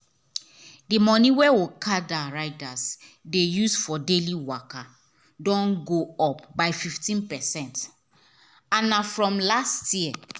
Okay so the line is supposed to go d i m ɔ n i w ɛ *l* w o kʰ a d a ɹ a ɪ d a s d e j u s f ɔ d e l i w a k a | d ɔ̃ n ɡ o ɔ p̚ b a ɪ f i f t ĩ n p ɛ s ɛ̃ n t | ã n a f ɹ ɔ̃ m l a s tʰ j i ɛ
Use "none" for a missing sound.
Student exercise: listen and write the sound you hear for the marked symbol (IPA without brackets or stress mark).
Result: none